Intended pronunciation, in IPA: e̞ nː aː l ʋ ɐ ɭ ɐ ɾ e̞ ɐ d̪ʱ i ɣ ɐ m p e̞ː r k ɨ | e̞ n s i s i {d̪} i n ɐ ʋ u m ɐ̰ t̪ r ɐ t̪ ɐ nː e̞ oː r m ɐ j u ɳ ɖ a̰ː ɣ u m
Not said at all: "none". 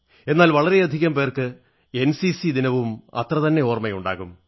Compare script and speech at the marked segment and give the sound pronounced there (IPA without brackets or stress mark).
d̪